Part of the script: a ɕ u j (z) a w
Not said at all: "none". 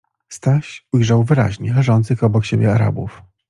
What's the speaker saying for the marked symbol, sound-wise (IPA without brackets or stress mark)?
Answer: ʐ